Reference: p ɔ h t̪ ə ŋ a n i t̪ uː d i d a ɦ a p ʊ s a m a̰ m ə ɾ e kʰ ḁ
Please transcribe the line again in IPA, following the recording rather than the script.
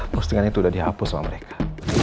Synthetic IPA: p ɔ s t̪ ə ŋ a n i t̪ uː d a d i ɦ a p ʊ s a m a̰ m ə ɾ e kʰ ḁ